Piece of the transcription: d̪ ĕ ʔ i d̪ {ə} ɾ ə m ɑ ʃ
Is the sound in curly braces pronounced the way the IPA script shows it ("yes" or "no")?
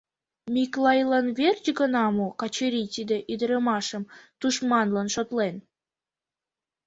yes